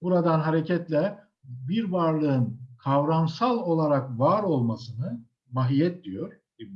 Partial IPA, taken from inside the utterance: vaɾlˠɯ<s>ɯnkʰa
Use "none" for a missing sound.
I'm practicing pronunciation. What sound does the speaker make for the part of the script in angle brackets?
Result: none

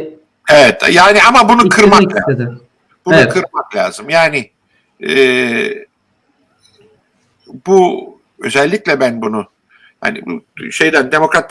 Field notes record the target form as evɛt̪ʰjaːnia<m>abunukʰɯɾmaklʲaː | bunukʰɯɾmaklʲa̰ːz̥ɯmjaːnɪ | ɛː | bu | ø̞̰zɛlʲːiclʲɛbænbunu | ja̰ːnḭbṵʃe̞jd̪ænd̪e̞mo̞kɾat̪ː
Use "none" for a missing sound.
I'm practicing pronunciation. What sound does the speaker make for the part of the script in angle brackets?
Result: m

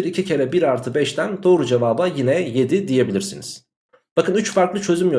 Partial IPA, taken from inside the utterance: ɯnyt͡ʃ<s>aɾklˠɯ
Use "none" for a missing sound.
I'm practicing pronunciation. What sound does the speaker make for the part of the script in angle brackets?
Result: f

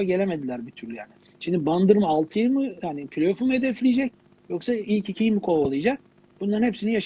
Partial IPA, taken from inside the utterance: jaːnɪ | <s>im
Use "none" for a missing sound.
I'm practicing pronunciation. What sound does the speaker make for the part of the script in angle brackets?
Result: ʃ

